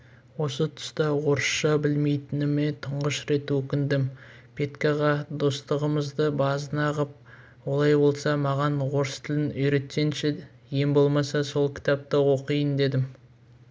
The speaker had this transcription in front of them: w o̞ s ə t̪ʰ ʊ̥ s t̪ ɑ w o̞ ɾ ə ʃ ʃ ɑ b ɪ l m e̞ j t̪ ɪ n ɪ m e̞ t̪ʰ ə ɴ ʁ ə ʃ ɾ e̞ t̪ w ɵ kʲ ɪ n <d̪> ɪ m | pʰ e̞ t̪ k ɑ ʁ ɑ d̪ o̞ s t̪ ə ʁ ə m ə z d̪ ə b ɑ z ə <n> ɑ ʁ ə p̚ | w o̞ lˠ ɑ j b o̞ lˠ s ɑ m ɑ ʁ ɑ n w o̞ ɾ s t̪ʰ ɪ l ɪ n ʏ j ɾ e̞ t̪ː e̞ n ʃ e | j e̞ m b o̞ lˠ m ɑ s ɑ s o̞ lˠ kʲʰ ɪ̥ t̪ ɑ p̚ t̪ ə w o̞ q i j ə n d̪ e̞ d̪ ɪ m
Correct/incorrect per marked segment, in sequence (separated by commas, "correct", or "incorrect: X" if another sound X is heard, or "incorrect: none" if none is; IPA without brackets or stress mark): correct, correct